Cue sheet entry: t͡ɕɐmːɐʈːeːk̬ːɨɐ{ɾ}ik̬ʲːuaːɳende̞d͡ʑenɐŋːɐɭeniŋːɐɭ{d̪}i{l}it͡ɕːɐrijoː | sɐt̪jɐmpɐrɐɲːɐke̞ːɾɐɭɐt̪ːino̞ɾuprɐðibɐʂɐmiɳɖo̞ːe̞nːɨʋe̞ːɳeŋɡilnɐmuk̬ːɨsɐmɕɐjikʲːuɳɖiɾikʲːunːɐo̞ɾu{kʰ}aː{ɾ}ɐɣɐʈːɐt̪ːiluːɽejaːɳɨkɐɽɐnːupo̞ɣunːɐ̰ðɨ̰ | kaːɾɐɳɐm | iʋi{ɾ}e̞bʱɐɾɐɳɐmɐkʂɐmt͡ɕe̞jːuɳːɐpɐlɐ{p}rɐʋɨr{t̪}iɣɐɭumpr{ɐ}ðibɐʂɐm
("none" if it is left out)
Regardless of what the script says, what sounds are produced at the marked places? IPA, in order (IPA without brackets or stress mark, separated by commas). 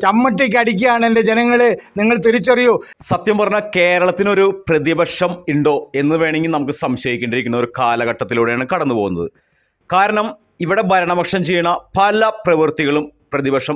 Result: ɽ, t̪, ɾ, k, l, ɽ, p, t̪, ɐ